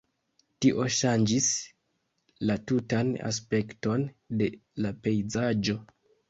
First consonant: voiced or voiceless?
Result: voiceless